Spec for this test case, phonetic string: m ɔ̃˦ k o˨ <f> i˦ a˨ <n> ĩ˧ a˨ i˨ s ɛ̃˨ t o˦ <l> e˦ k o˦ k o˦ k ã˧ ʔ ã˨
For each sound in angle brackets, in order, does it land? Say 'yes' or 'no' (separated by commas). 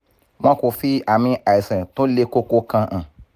yes, no, yes